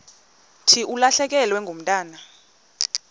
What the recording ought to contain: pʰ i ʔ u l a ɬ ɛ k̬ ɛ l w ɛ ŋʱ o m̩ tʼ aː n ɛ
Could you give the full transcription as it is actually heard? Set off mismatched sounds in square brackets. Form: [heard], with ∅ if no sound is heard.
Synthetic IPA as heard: [tʰ] i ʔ u l a ɬ ɛ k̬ ɛ l w ɛ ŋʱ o m̩ tʼ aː n [a]